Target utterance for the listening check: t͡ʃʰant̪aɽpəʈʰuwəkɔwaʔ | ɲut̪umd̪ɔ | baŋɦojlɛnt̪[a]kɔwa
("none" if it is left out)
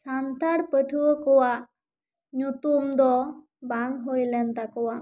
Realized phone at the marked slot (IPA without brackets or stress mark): a